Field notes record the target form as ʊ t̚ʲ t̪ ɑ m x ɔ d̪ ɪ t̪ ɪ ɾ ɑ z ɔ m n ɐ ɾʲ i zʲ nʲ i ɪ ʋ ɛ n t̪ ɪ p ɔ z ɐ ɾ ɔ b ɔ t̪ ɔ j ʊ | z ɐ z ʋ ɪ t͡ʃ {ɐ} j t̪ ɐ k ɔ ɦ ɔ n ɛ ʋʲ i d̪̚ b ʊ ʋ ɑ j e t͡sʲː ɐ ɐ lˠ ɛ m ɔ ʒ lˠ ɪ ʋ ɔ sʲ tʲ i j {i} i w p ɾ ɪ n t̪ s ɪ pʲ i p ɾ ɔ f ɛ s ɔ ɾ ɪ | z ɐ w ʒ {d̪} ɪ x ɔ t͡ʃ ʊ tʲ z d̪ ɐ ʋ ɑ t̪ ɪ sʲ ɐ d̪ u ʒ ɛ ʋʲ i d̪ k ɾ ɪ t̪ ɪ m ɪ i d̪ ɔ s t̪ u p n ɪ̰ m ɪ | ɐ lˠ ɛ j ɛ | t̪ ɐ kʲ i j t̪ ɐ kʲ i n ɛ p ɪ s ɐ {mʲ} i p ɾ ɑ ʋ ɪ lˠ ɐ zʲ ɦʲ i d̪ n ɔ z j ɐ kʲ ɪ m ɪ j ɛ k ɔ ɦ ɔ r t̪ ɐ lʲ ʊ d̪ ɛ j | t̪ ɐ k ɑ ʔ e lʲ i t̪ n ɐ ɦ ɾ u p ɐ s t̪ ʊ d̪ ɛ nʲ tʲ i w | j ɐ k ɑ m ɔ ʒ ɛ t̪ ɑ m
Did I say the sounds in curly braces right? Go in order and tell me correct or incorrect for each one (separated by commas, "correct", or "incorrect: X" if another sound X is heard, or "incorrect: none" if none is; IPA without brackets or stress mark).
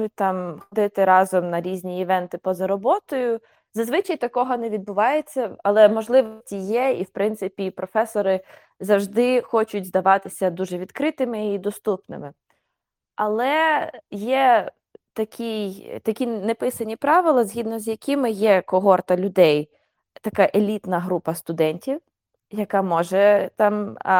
correct, incorrect: ɛ, correct, incorrect: nʲ